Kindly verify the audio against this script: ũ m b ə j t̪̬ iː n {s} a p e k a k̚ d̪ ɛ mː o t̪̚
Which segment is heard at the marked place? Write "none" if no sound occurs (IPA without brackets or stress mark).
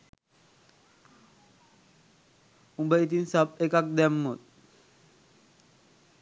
s